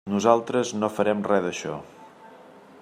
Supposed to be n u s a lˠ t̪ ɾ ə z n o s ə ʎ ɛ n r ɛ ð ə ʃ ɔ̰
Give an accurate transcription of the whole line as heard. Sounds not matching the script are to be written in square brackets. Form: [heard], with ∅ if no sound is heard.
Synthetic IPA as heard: n u [z] a lˠ t̪ ɾ ə z n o [f] ə [ɾ] ɛ [m] r ɛ ð ə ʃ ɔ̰